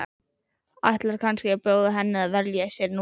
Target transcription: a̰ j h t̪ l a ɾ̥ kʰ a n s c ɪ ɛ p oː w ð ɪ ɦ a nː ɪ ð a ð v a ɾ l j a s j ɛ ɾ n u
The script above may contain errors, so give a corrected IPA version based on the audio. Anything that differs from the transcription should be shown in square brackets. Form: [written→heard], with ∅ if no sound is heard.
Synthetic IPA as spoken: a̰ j h t̪ l a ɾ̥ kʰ a n s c ɪ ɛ p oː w ð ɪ ɦ [a→ɛ] nː ɪ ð a ð v [a→ɛ] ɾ l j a s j ɛ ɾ n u

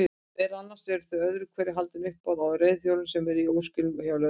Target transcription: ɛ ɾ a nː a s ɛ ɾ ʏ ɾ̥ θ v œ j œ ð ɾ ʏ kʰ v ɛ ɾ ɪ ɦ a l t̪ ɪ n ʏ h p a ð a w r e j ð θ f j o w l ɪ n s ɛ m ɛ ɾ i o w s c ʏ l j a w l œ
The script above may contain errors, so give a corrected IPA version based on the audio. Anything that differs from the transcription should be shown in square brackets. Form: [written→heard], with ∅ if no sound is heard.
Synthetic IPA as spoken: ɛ ɾ a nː a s ɛ ɾ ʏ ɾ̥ θ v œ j œ ð ɾ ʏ kʰ v ɛ ɾ ɪ ɦ a l t̪ ɪ n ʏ h p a ð a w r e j ð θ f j o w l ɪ n s ɛ m ɛ ɾ i o w s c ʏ l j a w l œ

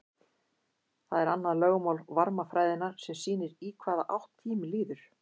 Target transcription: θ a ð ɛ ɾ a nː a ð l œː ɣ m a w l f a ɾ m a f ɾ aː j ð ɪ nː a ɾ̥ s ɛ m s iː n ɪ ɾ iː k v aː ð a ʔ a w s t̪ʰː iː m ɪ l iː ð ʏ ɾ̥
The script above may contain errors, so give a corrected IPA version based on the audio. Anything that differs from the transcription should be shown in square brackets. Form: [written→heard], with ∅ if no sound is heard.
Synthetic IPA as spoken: θ a ð ɛ ɾ a nː a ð l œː ɣ m a w l [f→v] a ɾ m a f ɾ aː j ð ɪ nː a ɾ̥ s ɛ m s iː n ɪ ɾ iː [k→kʰ] v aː ð a ʔ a w [s→h] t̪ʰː iː m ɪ l iː ð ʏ ɾ̥

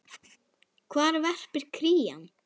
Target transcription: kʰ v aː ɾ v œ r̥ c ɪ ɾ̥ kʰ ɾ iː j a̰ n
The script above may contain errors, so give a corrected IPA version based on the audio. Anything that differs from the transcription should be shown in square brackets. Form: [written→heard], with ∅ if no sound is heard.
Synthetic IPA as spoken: kʰ v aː ɾ v [œ→ɛ] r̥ [c→p] ɪ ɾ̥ kʰ ɾ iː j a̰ n

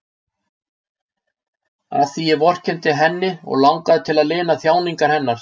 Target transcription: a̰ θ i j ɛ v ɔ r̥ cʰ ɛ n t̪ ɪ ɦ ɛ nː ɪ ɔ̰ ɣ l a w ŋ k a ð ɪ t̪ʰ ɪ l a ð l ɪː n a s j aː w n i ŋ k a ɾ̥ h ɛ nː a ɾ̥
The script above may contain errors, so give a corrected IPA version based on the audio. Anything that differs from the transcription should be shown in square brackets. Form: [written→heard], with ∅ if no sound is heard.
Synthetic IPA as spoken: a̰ θ i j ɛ v ɔ r̥ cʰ ɛ n t̪ ɪ ɦ ɛ nː ɪ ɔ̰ ɣ l a w ŋ k a ð ɪ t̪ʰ ɪ l a ð l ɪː n a [s→θ] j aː w n i ŋ k a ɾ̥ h ɛ nː a ɾ̥

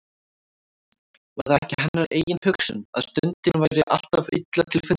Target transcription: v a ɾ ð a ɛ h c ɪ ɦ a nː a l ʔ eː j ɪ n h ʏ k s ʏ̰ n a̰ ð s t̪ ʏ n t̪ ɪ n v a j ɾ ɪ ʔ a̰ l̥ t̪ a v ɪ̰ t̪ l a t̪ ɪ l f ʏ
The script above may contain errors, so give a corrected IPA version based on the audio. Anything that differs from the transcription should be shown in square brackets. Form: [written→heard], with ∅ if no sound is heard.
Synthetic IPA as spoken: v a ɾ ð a ɛ h c ɪ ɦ a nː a [l→ɾ] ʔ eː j ɪ n h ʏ k s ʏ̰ n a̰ ð s t̪ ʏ n t̪ ɪ n v a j ɾ ɪ ʔ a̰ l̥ t̪ a v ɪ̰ t̪ l a [t̪→t̪ʰ] ɪ l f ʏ

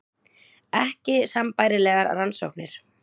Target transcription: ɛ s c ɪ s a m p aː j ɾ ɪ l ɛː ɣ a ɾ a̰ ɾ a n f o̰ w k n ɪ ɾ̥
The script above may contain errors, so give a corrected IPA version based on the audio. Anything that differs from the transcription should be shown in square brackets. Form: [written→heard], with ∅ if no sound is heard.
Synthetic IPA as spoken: ɛ [s→h] c ɪ s a m p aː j ɾ ɪ l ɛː ɣ a ɾ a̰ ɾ a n [f→s] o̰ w k n ɪ ɾ̥

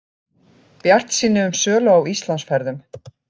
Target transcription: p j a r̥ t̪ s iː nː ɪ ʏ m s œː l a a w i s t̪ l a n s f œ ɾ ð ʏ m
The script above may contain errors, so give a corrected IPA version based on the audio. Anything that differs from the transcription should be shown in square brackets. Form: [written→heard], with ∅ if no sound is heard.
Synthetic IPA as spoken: p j a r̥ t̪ s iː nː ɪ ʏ m s œː l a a w i s t̪ l a n s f [œ→ɛ] ɾ ð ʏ m

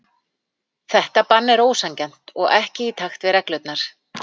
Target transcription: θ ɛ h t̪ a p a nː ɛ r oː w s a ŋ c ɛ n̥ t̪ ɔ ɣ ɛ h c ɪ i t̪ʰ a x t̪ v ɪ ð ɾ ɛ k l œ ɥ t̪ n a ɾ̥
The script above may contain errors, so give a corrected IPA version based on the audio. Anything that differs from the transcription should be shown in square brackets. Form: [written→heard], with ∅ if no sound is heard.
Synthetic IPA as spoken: θ ɛ h t̪ a p a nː ɛ [r→ɾ] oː w s a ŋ c ɛ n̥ t̪ ɔ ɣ ɛ h c ɪ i t̪ʰ a x t̪ v ɪ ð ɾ ɛ k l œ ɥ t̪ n a ɾ̥

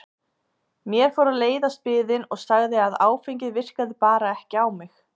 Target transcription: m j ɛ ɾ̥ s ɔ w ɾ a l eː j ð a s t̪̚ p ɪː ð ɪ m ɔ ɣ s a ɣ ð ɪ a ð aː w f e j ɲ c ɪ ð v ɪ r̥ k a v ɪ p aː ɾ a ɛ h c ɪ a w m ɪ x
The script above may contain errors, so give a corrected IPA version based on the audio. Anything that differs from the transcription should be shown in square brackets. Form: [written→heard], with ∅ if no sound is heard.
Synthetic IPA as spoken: m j ɛ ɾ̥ [s→f] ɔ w ɾ a l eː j ð a s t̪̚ p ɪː ð ɪ [m→n] ɔ ɣ s a ɣ ð ɪ a ð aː w f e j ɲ c ɪ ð v ɪ r̥ k a [v→ð] ɪ p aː ɾ a ɛ h c ɪ a w m ɪ x

